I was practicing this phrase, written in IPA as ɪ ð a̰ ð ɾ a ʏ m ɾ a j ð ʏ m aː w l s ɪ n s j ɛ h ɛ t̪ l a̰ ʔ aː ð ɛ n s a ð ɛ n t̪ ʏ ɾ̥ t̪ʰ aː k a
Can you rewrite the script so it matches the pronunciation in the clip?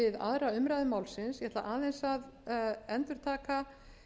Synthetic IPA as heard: ɪ ð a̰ ð ɾ a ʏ m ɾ a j ð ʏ m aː w l s ɪ n s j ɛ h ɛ t̪ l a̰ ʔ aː ð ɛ n s a ð ɛ n t̪ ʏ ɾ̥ t̪ʰ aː k a